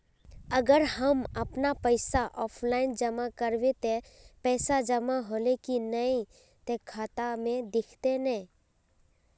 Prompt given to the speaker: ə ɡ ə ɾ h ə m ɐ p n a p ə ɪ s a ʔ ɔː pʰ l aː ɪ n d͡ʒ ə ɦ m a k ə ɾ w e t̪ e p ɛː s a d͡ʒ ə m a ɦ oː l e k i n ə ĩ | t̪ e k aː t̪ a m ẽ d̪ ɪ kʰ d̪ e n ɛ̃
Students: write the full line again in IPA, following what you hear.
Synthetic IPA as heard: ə ɡ ə ɾ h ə m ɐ p n a p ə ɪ s a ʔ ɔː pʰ l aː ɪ n d͡ʒ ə m a k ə ɾ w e t̪ e p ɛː s a d͡ʒ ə m a ɦ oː l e k i n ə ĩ | t̪ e kʰ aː t̪ a m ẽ d̪ ɪ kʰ t̪ e n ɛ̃